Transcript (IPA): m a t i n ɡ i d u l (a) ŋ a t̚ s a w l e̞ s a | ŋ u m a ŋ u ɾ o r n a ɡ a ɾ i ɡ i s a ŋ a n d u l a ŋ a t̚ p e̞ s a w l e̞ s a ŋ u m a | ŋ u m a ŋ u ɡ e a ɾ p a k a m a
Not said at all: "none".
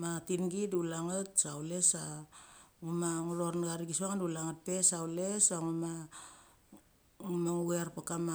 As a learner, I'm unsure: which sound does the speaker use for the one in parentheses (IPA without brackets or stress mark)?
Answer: a